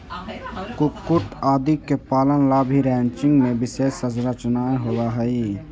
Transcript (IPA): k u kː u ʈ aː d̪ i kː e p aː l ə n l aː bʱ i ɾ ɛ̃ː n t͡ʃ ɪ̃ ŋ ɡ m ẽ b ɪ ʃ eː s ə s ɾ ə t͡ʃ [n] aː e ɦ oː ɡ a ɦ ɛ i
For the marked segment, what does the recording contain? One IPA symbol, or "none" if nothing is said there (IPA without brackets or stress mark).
n